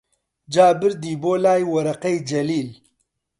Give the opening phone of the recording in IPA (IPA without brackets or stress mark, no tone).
d͡ʒ